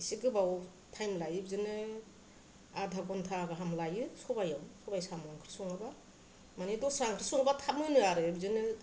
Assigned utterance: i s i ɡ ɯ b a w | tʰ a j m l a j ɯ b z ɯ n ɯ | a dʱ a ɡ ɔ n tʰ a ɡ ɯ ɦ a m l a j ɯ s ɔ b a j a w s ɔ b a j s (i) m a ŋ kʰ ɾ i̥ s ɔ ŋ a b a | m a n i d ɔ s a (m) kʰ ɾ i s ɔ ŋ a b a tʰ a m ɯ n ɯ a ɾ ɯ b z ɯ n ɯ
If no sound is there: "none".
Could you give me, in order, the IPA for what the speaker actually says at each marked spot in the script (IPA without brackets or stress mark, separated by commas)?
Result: a, ŋ